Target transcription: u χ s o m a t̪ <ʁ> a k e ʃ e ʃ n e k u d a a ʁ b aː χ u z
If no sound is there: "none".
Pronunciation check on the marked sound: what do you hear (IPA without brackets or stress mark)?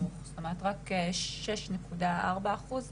ʁ